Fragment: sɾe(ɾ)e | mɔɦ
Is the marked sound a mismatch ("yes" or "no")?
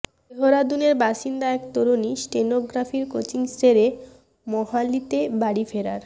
no